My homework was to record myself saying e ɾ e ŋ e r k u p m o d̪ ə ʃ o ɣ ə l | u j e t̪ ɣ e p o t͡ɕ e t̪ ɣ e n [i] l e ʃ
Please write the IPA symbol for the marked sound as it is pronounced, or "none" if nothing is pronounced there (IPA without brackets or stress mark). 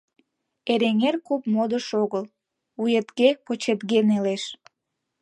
e